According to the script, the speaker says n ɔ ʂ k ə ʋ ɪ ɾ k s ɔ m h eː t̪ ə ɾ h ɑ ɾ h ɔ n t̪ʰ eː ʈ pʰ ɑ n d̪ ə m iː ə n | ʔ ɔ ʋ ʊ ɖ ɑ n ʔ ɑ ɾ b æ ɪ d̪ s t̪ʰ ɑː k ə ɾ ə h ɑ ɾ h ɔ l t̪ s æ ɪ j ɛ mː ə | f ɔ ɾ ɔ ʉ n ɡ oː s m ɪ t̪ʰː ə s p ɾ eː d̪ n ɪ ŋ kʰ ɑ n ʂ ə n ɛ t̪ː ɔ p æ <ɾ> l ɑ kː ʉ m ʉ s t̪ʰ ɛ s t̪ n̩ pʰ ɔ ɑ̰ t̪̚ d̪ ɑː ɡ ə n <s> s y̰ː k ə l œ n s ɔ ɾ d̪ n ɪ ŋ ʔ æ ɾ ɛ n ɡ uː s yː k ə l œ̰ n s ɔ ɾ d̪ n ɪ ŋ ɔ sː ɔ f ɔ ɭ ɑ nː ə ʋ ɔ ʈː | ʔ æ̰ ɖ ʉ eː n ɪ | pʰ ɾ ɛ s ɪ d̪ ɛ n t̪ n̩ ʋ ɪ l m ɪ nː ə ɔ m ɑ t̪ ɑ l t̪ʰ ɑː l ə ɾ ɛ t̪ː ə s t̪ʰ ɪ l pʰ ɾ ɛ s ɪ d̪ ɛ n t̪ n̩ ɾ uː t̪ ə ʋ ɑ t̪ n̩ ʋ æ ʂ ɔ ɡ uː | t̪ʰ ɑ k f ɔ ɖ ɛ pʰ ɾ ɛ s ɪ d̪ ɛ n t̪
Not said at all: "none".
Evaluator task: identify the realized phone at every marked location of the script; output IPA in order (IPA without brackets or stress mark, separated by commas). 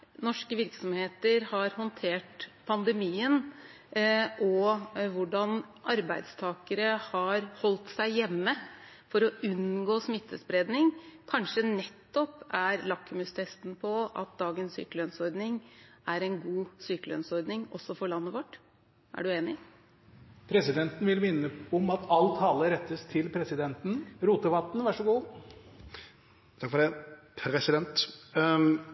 ɾ, s